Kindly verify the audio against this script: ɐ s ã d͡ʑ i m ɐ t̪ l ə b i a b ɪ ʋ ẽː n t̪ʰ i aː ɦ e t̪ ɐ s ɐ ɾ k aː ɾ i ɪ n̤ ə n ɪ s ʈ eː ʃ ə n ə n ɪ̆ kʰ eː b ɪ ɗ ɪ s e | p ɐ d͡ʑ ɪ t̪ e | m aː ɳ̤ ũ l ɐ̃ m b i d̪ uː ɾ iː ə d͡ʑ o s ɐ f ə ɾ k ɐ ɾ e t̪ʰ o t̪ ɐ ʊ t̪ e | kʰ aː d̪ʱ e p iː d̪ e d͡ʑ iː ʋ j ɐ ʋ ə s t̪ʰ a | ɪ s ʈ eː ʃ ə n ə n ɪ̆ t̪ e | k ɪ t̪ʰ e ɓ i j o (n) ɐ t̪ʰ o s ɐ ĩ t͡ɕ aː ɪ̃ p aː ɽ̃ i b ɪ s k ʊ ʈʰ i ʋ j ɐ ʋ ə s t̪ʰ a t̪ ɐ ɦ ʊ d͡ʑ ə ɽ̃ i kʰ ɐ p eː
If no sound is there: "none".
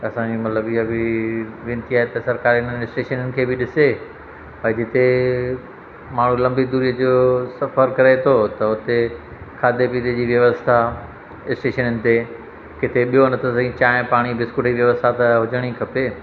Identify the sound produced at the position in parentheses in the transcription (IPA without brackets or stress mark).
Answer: n